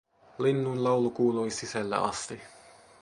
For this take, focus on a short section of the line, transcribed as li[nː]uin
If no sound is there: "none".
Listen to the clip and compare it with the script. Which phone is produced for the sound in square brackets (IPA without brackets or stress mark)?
nː